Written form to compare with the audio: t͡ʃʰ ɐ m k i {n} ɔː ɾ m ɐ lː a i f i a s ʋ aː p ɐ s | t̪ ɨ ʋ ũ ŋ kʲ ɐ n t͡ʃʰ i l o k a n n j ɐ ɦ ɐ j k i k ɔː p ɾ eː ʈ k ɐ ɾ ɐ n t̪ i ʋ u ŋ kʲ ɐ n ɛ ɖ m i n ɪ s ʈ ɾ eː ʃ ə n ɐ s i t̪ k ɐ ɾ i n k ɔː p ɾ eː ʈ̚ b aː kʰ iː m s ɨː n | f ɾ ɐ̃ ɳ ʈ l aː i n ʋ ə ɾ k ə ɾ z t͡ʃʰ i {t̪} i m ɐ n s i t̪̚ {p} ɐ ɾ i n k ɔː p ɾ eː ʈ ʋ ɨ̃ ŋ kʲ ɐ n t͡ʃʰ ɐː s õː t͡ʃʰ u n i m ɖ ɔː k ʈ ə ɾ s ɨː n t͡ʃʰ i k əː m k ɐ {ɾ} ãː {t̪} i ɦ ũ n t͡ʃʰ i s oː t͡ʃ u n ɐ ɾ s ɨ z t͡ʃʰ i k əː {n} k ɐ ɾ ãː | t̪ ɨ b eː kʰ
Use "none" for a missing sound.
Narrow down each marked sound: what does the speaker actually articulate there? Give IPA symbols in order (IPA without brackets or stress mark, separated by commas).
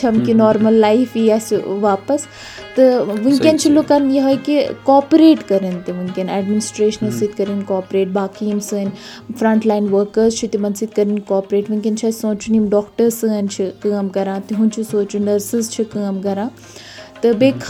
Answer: n, t̪, k, ɾ, t̪, m